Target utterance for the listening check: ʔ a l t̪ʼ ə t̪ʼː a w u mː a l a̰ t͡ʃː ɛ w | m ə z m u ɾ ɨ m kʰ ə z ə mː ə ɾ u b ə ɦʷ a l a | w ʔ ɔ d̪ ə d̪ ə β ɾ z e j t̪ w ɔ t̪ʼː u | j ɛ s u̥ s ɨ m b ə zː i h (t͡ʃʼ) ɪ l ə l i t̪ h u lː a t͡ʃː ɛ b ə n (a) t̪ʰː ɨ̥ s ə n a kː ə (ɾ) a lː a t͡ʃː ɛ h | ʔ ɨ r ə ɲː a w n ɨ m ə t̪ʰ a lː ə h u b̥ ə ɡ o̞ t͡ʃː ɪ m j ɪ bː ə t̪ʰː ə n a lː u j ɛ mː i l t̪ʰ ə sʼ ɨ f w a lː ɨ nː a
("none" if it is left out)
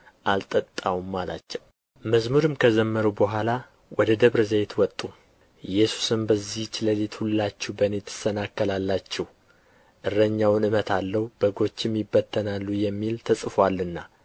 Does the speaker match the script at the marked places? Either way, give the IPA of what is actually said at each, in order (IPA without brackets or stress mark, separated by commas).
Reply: t͡ʃ, e, l